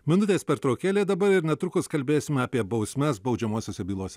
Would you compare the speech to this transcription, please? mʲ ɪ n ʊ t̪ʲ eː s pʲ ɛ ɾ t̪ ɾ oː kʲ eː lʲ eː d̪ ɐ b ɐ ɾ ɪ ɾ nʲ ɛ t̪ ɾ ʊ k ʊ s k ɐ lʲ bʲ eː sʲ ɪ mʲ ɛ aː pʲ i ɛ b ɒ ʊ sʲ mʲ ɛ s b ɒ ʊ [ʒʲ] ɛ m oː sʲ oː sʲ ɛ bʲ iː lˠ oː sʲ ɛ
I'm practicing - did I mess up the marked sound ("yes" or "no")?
yes